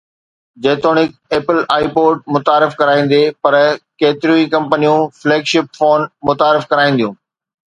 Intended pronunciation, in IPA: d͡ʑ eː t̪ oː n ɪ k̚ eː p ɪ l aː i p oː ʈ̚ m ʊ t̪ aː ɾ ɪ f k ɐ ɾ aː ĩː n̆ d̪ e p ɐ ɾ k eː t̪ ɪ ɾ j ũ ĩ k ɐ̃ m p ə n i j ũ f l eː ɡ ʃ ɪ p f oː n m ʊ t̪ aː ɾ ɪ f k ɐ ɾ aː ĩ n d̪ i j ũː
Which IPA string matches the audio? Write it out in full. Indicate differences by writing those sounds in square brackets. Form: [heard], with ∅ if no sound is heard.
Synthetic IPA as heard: d͡ʑ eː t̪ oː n ɪ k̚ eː p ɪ l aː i p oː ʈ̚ m ʊ t̪ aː ɾ ɪ f k ɐ ɾ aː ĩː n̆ d̪ e p ɐ ɾ k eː t̪ ɪ ɾ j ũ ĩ k ɐ̃ m p ə n i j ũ f l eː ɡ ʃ ɪ p f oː n m ʊ t̪ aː ɾ ɪ f k ɐ ɾ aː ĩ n d̪ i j ũː